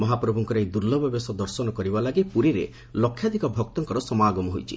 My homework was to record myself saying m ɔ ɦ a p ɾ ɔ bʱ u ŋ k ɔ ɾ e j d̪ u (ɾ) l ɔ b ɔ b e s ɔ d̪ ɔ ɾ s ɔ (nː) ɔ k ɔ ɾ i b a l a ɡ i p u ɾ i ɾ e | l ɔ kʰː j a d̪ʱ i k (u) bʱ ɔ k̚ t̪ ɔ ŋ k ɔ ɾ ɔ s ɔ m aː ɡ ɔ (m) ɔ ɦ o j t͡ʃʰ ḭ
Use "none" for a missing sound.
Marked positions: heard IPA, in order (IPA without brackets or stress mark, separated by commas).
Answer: ɾ, n, ɔ, m